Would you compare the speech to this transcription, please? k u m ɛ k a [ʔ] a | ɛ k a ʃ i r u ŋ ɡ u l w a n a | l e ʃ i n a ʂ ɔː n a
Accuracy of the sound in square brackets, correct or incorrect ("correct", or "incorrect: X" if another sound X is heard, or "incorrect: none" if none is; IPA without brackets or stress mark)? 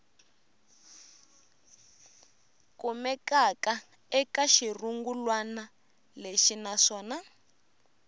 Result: incorrect: k